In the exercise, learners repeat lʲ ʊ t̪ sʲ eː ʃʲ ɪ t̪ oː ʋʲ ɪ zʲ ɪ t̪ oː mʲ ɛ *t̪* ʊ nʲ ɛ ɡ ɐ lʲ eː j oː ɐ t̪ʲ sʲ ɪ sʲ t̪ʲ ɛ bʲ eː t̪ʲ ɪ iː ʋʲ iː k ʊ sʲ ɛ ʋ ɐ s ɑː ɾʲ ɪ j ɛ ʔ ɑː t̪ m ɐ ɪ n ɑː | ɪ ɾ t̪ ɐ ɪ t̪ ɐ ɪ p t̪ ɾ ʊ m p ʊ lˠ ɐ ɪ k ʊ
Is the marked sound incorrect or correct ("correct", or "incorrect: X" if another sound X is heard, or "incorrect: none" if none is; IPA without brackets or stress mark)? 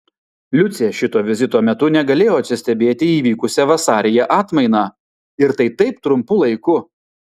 correct